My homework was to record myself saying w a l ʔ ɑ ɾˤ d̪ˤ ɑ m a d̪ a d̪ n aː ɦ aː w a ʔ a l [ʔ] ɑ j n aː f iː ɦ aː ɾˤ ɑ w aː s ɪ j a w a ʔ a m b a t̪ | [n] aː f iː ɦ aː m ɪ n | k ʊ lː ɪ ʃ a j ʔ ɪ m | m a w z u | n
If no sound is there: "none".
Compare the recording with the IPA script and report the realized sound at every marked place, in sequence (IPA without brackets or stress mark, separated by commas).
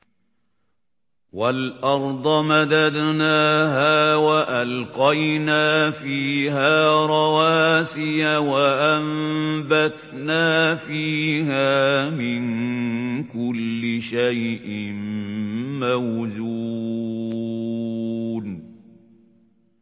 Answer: q, n